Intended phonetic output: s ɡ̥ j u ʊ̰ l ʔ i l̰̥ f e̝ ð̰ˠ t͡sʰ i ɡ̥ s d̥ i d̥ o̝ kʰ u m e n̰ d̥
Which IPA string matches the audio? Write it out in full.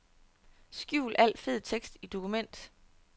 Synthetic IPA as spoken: s ɡ̥ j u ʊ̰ l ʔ æ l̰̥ f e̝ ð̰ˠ t͡sʰ e ɡ̥ s d̥ i d̥ o̝ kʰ u m e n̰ d̥